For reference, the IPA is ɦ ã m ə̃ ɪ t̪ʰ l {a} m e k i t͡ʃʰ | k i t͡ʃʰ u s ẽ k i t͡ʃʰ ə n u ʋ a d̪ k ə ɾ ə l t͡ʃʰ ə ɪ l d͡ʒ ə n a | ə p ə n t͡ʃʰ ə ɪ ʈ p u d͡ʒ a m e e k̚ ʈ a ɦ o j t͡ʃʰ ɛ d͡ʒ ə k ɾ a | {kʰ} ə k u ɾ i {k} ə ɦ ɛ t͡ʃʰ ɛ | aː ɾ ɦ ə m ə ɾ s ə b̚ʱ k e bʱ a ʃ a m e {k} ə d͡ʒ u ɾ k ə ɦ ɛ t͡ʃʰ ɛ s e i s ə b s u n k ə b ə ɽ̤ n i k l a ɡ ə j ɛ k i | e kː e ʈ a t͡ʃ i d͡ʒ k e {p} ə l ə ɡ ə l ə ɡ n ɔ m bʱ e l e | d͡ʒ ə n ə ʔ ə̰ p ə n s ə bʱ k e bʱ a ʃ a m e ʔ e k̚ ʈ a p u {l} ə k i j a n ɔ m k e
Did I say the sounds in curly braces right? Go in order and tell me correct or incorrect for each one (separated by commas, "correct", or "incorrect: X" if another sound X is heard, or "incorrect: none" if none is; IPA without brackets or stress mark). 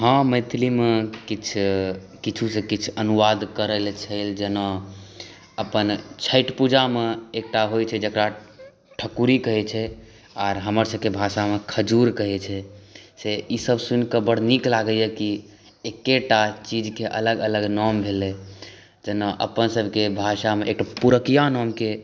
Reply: incorrect: i, incorrect: ʈʰ, correct, incorrect: kʰ, incorrect: ʔ, incorrect: ɾ